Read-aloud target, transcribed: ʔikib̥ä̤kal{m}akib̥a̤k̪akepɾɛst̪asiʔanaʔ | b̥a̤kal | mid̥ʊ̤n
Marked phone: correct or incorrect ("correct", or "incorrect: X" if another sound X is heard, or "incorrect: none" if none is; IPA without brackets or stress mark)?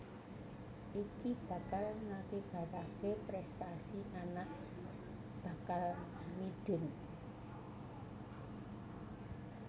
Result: incorrect: ŋ